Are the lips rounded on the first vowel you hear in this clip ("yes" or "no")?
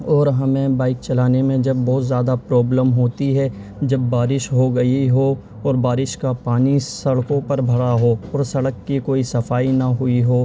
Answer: yes